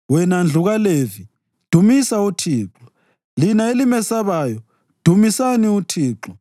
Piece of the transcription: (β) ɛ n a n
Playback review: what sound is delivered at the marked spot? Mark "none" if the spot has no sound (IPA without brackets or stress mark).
w